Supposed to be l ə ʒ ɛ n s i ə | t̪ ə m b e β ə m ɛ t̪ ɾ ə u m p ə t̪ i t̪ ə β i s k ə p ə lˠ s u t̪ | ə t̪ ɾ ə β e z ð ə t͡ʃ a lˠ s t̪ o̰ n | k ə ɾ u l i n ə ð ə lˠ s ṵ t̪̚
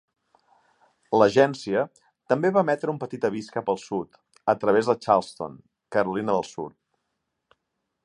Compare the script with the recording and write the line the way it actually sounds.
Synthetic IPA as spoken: l ə ʒ ɛ n s i ə | t̪ ə m b e β a m ɛ t̪ ɾ ə u m p ə t̪ i t̪ ə β i s k ə p ə lˠ s u t̪ | ə t̪ ɾ ə β e z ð ə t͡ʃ a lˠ s t̪ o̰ n | k ə ɾ u l i n ə ð ə lˠ s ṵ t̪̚